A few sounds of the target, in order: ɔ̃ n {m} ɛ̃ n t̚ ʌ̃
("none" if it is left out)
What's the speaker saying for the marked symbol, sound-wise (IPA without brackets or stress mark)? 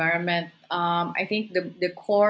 m